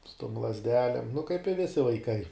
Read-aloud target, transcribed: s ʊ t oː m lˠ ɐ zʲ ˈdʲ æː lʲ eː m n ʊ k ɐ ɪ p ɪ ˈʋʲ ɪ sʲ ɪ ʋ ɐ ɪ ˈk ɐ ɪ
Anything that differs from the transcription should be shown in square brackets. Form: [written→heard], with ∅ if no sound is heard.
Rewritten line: s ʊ t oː m lˠ ɐ zʲ ˈdʲ æː lʲ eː m n ʊ k ɐ ɪ p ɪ ˈʋʲ ɪ sʲ ɪ ʋ ɐ ɪ ˈk ɐ ɪ